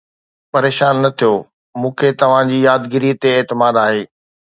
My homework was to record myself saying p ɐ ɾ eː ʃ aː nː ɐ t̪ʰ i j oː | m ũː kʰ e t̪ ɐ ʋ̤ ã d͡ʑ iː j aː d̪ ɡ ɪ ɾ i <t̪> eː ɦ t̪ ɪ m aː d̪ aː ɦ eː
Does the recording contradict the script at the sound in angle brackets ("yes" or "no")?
no